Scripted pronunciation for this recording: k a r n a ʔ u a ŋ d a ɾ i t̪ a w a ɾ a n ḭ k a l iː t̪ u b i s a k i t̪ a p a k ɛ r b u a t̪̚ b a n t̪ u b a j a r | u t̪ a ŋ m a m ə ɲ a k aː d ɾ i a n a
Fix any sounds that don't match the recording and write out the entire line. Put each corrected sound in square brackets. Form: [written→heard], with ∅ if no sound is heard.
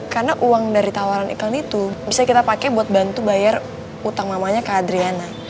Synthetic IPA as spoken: k a r n a ʔ u a ŋ d a ɾ i t̪ a w a ɾ a n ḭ k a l [iː→i] t̪ u b i s a k i t̪ a p a k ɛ [r→∅] b u a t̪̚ b a n t̪ u b a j a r | u t̪ a ŋ m a m [ə→a] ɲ a k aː d ɾ i a n a